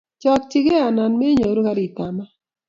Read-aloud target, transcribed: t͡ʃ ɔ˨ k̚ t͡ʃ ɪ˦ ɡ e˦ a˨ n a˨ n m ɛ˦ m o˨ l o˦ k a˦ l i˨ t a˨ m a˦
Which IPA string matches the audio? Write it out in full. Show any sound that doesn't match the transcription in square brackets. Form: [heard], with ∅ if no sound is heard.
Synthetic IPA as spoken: t͡ʃ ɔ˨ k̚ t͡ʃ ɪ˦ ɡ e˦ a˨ n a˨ n m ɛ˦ [ɲ] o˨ [ɾ] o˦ k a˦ [ɾ] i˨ t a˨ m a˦